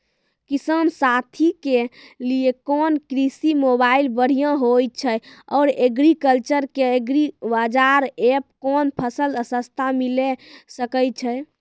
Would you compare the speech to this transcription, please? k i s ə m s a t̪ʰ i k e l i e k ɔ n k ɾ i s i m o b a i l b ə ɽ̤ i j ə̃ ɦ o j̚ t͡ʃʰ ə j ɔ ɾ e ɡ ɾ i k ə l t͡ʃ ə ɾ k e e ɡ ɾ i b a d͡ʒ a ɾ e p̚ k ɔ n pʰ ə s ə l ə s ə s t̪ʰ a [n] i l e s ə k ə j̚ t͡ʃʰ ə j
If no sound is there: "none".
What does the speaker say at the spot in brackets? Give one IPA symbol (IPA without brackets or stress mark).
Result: m